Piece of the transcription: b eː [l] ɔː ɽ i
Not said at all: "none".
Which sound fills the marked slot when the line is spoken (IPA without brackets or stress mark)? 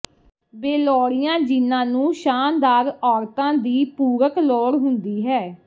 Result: l